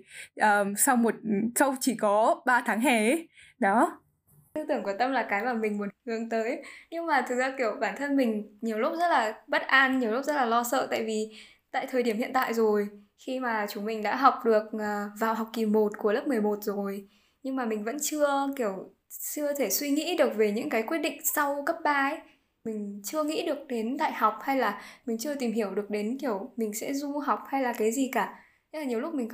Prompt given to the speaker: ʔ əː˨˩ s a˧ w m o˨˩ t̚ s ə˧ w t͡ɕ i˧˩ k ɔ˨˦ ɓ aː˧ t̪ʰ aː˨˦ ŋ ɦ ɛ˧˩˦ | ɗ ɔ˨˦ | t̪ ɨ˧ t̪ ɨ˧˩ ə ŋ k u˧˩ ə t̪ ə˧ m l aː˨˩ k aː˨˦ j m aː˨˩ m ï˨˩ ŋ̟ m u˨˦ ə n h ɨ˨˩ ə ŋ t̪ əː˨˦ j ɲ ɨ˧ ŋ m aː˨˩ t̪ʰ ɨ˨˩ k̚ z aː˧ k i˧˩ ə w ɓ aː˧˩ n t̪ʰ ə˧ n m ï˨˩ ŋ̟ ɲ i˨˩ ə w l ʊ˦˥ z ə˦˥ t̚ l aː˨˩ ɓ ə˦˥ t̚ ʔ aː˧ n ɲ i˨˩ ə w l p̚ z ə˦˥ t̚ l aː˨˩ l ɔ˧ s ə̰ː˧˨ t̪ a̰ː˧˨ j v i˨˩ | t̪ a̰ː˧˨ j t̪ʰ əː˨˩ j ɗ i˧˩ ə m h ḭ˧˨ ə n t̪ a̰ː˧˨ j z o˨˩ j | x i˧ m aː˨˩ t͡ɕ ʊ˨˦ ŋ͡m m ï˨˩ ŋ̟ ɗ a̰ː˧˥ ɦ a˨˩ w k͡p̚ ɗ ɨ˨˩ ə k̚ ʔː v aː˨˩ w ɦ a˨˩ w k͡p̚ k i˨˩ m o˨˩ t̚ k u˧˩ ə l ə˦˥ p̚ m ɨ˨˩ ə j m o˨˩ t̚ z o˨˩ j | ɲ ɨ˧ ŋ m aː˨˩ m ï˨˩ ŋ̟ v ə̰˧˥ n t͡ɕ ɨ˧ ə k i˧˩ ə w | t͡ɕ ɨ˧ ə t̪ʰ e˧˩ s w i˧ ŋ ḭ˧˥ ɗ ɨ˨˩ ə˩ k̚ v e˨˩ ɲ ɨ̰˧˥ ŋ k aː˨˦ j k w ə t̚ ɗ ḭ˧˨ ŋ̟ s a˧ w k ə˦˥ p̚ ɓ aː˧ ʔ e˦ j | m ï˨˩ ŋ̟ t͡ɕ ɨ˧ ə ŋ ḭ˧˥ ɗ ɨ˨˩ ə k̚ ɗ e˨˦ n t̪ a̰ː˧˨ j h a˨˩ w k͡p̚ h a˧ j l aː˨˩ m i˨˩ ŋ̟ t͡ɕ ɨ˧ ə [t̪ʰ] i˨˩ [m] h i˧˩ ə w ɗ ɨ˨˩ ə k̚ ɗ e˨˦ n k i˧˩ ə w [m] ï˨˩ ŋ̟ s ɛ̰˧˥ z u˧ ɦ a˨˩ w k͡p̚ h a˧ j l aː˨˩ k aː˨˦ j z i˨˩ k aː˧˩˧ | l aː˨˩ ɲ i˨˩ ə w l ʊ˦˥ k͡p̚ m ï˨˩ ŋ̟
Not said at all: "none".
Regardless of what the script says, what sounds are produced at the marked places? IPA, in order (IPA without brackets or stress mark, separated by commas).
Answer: t̪, m, m